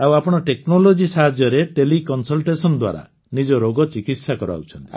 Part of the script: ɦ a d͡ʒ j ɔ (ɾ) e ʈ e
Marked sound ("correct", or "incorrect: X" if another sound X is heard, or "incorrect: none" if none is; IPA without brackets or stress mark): correct